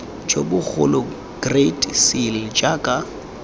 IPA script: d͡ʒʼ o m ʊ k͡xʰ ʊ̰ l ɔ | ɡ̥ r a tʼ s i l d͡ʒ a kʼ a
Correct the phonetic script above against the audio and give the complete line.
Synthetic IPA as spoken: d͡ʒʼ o b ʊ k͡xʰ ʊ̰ l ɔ | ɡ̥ r e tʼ s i l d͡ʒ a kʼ a